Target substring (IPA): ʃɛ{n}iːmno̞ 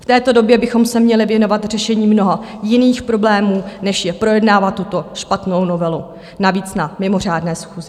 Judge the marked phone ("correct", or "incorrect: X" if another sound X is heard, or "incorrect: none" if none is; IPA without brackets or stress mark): incorrect: ɲ